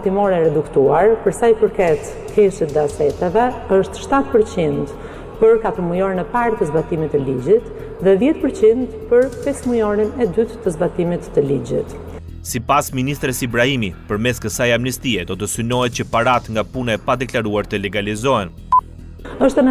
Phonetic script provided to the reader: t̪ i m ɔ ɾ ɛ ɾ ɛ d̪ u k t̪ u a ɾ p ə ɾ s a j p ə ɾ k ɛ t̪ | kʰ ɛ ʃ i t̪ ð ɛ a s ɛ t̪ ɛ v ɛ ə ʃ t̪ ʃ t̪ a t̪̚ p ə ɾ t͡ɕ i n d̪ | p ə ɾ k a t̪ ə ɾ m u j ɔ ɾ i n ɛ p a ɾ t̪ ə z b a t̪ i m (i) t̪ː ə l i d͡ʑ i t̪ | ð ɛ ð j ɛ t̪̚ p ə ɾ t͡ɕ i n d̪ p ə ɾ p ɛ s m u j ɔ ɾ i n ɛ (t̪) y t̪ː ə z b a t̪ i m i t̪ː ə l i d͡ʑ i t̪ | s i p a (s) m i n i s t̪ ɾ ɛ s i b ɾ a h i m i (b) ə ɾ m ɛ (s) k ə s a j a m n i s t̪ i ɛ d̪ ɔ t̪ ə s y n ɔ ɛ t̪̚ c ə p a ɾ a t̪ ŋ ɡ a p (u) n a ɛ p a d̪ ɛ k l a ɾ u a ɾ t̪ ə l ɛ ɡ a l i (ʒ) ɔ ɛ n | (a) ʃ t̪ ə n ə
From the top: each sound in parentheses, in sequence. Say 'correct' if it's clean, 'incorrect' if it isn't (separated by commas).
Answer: correct, incorrect, correct, incorrect, correct, correct, incorrect, incorrect